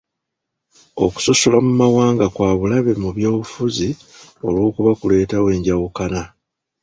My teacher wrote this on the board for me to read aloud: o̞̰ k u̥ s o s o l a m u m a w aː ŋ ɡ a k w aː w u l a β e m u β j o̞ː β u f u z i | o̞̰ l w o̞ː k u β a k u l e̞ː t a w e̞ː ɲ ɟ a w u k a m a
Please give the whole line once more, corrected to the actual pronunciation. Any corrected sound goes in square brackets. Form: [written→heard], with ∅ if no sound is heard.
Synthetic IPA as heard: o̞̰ k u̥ s o s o l a m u m a w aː ŋ ɡ a k w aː [w→β] u l a β e m u β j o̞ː β u f u z i | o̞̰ l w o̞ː k u β a k u l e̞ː t a w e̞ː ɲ ɟ a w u k a [m→n] a